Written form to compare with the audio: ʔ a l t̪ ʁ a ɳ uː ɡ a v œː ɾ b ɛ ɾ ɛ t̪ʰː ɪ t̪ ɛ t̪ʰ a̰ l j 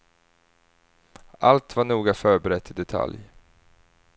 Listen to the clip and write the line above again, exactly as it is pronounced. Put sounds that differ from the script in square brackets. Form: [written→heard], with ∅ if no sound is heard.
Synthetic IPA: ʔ a l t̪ [ʁ→v] a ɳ uː ɡ a [v→f] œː ɾ b ɛ ɾ ɛ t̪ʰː ɪ [t̪→d̪] ɛ t̪ʰ a̰ l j